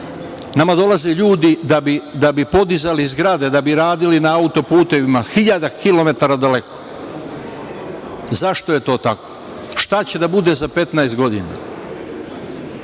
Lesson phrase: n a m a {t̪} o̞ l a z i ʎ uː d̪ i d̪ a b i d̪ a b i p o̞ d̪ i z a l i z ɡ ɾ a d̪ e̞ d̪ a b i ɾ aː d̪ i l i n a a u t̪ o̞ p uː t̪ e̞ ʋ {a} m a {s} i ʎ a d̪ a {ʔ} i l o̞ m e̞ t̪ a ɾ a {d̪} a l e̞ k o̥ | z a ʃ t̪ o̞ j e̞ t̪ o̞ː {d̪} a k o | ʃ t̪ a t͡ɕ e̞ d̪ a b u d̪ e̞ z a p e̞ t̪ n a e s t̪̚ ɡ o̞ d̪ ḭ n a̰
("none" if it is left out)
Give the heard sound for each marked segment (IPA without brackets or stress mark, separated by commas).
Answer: d̪, i, x, k, d̪, t̪